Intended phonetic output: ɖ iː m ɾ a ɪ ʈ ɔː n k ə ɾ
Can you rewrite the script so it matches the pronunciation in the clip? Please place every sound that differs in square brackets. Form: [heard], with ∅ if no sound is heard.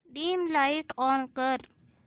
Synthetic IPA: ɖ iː m [l] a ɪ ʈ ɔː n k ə ɾ

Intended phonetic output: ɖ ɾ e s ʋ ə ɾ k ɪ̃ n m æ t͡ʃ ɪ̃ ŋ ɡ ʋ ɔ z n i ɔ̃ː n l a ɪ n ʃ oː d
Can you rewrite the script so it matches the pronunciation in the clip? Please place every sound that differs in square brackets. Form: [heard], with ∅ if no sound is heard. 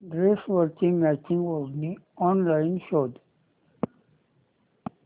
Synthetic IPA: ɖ ɾ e s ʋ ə ɾ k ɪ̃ [ŋ] m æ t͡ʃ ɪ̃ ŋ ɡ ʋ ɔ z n i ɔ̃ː n l a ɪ n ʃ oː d

